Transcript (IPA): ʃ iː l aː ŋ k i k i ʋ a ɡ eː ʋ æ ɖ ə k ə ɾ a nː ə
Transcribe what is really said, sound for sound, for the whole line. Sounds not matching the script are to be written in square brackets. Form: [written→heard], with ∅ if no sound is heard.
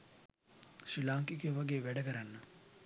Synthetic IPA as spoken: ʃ [iː→i] l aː ŋ k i k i ʋ a ɡ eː ʋ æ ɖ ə k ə ɾ a nː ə